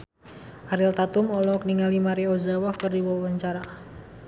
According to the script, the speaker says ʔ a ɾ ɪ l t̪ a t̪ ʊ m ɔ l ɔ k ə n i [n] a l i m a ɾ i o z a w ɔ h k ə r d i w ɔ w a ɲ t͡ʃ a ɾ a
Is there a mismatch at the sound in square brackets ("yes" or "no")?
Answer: yes